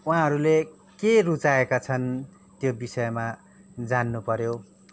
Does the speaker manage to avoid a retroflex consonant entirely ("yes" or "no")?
yes